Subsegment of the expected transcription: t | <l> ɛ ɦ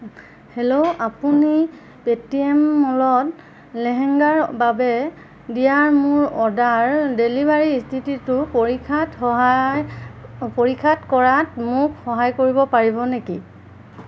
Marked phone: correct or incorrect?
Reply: correct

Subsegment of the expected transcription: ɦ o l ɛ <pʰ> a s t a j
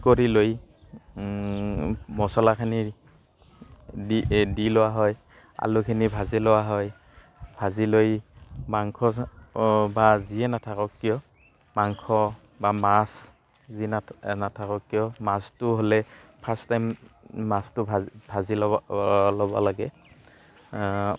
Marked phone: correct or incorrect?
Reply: correct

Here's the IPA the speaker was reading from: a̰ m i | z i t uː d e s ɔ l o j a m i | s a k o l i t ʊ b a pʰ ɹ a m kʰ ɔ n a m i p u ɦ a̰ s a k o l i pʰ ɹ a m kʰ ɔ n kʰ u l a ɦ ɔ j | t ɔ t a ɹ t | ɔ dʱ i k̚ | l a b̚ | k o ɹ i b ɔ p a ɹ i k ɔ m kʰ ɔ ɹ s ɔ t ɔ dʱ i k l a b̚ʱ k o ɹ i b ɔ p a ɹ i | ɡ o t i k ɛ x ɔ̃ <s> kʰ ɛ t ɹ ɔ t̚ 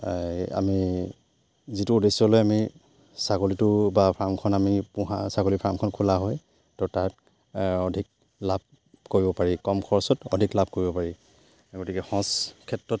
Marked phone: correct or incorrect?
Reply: correct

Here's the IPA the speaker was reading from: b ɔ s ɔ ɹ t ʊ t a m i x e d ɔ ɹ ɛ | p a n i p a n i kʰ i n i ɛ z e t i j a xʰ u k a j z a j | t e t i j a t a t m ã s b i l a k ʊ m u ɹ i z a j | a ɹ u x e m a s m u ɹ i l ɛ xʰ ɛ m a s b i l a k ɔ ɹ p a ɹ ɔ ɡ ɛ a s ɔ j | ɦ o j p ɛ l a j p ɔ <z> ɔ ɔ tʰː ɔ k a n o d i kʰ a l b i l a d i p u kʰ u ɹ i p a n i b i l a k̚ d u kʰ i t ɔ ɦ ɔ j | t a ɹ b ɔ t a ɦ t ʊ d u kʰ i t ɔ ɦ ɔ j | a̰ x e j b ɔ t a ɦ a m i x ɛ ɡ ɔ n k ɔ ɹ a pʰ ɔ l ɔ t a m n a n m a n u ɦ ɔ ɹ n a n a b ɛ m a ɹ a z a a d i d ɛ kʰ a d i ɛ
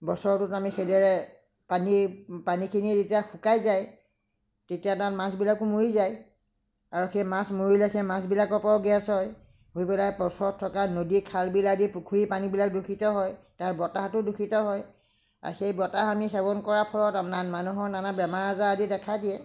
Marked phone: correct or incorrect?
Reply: incorrect: s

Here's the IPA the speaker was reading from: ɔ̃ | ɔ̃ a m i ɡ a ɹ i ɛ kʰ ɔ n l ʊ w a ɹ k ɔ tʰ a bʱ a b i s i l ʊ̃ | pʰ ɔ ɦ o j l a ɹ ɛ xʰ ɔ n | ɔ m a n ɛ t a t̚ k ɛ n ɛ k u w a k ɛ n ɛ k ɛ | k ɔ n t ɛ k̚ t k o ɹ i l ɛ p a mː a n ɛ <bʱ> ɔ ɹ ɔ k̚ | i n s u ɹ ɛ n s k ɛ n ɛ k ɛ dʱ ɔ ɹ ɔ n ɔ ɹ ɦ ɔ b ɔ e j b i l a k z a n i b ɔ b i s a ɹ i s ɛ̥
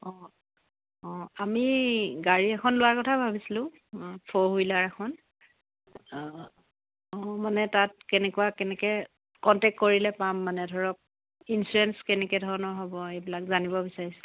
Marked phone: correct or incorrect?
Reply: incorrect: dʱ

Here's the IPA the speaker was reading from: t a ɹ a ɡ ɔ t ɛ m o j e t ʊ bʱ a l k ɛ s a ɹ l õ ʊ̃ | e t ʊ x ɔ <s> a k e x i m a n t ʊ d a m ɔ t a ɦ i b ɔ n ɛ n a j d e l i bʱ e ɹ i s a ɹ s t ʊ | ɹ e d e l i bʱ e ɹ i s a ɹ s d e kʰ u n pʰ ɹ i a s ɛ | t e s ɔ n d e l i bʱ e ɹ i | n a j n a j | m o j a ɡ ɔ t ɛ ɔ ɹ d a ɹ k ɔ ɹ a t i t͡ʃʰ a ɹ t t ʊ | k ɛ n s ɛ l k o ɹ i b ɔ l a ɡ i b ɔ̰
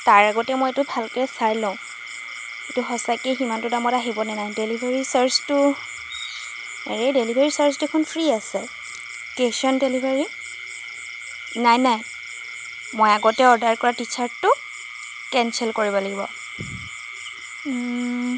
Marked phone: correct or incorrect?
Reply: correct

